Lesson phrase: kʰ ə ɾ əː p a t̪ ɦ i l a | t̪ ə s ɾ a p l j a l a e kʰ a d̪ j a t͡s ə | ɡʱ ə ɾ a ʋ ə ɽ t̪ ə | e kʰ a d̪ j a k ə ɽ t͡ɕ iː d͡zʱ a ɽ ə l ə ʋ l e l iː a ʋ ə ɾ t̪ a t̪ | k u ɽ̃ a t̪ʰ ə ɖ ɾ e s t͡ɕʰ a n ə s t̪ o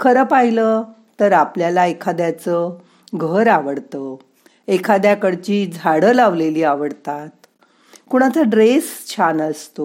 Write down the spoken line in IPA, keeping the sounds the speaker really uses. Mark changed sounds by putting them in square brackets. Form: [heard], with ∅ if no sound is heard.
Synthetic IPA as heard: kʰ ə ɾ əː p a [∅] ɦ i l [ə] | t̪ ə [∅] ɾ a p l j a l a e kʰ a d̪ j a t͡s ə | ɡʱ ə ɾ a ʋ ə ɽ t̪ ə | e kʰ a d̪ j a k ə ɽ t͡ɕ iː d͡zʱ a ɽ ə l [a] ʋ l e l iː a ʋ ə [ɽ] t̪ a t̪ | k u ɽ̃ a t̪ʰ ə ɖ ɾ e s t͡ɕʰ a n ə s t̪ o